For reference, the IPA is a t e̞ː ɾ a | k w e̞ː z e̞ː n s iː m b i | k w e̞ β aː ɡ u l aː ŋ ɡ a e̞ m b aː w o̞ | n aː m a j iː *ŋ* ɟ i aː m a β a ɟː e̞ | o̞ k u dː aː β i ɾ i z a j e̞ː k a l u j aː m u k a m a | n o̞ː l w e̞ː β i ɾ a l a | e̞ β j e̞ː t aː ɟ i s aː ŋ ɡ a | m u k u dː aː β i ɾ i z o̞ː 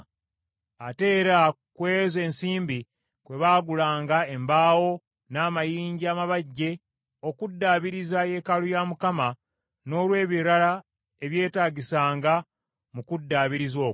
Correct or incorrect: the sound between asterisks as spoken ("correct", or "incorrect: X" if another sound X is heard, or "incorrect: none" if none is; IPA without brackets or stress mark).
incorrect: ɲ